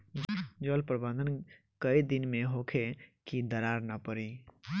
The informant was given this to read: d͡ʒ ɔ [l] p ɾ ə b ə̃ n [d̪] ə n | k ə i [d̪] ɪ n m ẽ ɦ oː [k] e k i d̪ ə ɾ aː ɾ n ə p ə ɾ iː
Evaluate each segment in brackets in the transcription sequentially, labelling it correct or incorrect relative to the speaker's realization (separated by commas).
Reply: correct, correct, correct, incorrect